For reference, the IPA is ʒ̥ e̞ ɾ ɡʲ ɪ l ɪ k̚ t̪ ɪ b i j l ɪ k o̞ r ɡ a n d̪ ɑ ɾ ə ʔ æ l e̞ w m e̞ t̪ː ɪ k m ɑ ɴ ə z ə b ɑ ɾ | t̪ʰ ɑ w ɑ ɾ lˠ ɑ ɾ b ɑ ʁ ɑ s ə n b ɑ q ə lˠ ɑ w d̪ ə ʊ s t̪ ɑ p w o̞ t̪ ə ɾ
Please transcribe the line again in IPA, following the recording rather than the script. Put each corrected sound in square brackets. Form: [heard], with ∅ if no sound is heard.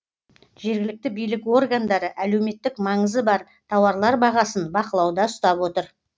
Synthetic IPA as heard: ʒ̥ e̞ ɾ ɡʲ ɪ l ɪ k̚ t̪ ɪ b i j l ɪ k o̞ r ɡ a n d̪ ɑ ɾ ə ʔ æ l e̞ w m e̞ t̪ː ɪ k m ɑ ɴ ə z ə b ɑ ɾ | t̪ʰ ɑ w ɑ ɾ lˠ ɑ ɾ b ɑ ʁ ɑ s ə n b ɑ q ə lˠ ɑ w d̪ [ɑ] ʊ s t̪ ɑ p w o̞ t̪ ə ɾ